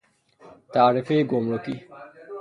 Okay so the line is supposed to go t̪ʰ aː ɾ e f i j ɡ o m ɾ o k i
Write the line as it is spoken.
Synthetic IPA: t̪ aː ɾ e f e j ɡ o m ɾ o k i